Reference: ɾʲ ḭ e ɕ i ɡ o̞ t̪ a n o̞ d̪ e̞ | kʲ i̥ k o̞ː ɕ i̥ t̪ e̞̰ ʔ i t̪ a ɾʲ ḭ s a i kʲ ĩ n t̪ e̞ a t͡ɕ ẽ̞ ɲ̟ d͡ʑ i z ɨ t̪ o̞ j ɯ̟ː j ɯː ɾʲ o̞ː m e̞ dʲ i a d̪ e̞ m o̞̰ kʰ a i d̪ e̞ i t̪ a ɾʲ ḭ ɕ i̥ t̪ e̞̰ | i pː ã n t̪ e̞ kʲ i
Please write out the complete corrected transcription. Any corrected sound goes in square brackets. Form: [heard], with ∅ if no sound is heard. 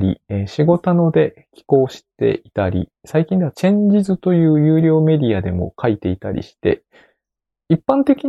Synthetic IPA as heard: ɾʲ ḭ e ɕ i ɡ o̞ t̪ a n o̞ d̪ e̞ | kʲ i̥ k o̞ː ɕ i̥ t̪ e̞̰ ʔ i t̪ a ɾʲ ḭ s a i kʲ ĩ n [d̪] e̞ a t͡ɕ ẽ̞ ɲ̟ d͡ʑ i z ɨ t̪ o̞ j ɯ̟ː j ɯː ɾʲ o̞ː m e̞ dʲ i a d̪ e̞ m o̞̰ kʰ a i [t̪] e̞ i t̪ a ɾʲ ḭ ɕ i̥ t̪ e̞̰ | i pː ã n t̪ e̞ kʲ i